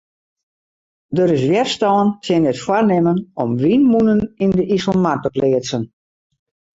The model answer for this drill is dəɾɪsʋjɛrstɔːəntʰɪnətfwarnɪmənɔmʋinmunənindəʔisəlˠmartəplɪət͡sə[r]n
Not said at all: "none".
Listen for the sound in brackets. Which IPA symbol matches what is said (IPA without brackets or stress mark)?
none